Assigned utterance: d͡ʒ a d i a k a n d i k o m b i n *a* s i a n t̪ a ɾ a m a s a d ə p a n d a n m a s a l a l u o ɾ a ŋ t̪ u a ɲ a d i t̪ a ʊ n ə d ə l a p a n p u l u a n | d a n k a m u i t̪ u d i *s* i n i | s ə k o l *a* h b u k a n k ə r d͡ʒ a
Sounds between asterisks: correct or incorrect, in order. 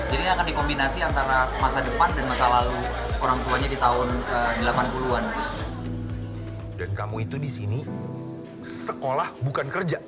correct, correct, correct

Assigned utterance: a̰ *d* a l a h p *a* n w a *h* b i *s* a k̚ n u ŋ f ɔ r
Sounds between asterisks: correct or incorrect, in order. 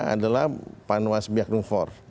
correct, correct, incorrect: s, incorrect: none

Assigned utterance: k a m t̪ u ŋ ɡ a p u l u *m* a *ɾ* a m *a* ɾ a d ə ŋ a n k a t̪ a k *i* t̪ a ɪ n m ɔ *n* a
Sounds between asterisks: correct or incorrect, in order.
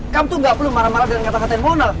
correct, correct, correct, incorrect: a, correct

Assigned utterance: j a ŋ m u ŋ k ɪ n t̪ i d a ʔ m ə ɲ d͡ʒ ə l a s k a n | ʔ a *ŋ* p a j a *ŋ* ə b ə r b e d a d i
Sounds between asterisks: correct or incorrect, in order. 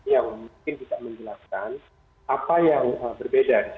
incorrect: none, correct

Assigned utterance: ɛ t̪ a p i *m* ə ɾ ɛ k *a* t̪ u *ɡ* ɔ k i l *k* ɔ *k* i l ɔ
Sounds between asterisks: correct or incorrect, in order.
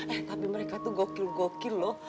correct, correct, correct, incorrect: ɡ, correct

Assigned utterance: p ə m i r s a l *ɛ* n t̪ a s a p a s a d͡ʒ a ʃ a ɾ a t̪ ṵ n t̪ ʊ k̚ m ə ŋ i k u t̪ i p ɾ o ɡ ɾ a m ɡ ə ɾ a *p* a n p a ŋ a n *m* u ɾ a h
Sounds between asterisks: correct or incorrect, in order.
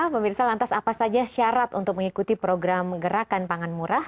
incorrect: a, incorrect: k, correct

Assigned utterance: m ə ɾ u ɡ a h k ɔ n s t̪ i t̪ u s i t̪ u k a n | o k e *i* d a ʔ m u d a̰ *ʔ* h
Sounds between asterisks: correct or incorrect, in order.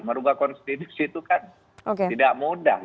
correct, incorrect: none

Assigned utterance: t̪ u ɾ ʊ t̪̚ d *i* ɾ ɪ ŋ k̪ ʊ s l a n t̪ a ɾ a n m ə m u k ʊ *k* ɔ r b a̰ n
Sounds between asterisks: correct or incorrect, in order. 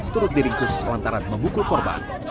correct, correct

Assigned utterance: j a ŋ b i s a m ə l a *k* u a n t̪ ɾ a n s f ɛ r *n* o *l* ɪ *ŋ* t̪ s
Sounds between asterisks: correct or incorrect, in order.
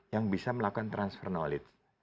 correct, correct, correct, incorrect: none

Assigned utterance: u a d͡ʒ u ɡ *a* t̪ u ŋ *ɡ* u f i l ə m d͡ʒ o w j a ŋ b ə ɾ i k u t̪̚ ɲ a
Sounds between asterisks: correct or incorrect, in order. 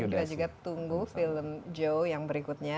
correct, correct

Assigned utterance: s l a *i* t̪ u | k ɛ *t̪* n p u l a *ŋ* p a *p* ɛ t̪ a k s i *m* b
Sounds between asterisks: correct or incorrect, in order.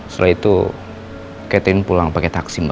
correct, correct, correct, incorrect: k, correct

